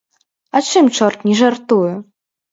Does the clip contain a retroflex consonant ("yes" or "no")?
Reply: yes